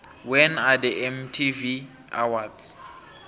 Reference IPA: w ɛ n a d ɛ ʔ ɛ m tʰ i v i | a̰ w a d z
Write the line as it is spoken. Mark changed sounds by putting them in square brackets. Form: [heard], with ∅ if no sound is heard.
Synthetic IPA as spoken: w ɛ n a d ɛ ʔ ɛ m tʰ i v i | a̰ w a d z